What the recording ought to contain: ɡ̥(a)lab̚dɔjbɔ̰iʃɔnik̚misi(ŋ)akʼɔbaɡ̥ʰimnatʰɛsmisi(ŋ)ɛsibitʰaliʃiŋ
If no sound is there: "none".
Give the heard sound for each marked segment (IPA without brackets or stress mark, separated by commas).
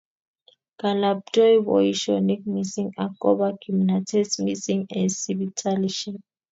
a, ŋ, ŋ